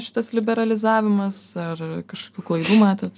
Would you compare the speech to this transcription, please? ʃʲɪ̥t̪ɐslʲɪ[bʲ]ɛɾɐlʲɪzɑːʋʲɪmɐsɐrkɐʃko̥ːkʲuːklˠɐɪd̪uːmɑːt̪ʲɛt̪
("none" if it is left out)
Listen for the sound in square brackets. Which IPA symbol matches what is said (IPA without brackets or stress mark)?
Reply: bʲ